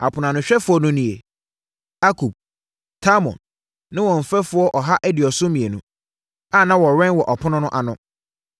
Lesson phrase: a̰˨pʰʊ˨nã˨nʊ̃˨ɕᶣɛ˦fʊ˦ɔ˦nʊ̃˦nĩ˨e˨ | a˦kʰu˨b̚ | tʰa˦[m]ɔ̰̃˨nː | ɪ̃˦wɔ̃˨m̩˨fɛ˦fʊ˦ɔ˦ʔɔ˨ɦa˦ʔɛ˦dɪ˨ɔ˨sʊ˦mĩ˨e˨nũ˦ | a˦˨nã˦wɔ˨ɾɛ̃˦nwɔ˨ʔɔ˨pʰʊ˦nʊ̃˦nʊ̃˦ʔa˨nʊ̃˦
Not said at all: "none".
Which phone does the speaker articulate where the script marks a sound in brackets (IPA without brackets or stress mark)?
m